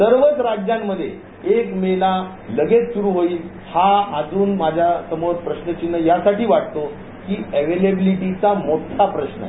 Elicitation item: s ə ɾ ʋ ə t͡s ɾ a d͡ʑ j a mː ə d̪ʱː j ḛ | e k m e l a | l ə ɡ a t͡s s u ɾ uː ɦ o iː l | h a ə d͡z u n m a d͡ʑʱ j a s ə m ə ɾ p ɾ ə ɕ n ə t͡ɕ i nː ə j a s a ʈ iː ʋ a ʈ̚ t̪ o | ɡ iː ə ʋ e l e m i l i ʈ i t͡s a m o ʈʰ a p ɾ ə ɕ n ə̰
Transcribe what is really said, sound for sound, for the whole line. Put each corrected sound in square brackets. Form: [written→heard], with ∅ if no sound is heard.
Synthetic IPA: s ə ɾ ʋ ə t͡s ɾ a d͡ʑ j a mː ə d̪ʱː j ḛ | e k m e l a | l ə ɡ [a→e] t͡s s u ɾ uː ɦ o iː l | h a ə d͡z [u→uː] n m a d͡ʑʱ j a s ə m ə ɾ p ɾ ə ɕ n ə t͡ɕ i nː ə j a s a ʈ iː ʋ a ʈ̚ t̪ o | [ɡ→k] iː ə ʋ e l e [m→b] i l i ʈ i t͡s a m o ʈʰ a p ɾ ə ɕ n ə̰